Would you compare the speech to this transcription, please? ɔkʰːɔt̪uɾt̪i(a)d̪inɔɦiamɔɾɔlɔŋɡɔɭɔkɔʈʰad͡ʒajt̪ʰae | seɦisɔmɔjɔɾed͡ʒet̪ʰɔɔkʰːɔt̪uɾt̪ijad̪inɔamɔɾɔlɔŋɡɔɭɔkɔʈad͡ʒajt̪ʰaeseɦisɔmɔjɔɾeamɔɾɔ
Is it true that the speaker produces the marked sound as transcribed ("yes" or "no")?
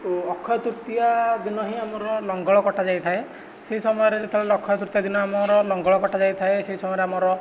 yes